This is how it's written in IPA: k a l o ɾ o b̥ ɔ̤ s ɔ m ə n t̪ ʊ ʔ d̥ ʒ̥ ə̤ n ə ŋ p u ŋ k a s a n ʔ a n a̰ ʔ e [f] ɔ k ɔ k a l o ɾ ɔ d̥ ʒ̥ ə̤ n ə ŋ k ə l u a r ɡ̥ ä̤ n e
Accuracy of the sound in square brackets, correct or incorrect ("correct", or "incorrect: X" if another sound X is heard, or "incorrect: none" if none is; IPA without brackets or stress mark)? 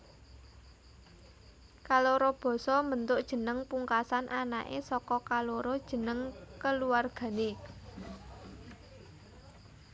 incorrect: s